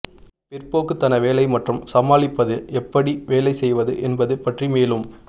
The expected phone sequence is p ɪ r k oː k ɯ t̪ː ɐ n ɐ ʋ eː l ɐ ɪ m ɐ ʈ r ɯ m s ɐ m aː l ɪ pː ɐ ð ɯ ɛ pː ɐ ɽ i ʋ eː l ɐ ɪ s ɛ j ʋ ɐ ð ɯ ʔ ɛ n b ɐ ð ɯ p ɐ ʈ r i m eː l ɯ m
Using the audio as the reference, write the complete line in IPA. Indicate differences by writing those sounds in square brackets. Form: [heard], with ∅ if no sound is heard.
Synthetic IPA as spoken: p ɪ r [p] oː k ɯ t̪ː ɐ n ɐ ʋ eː l ɐ ɪ m ɐ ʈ r ɯ m s ɐ m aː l ɪ pː ɐ ð ɯ ɛ pː ɐ ɽ i ʋ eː l ɐ ɪ s ɛ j ʋ ɐ ð ɯ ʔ ɛ n b ɐ ð ɯ p ɐ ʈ r i m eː l ɯ m